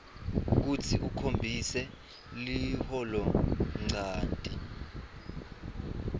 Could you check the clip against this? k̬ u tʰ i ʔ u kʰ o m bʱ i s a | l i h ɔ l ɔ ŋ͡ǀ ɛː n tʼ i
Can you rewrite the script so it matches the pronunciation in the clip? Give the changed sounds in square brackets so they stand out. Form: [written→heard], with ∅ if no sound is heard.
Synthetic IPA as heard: k̬ u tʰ i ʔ u kʰ o m bʱ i s [a→ɛ] | l i h ɔ l ɔ ŋ͡ǀ [ɛː→aː] n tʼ i